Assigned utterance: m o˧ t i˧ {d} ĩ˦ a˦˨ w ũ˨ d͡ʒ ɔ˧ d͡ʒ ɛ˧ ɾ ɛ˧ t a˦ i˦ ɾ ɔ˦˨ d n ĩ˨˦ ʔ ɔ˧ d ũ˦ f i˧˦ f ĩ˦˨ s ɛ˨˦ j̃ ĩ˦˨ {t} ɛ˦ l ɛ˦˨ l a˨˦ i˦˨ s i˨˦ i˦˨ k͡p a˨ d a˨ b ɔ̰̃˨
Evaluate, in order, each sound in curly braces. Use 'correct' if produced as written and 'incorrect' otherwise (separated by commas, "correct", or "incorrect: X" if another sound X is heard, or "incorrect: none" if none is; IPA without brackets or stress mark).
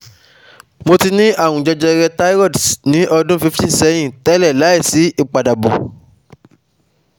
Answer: incorrect: n, correct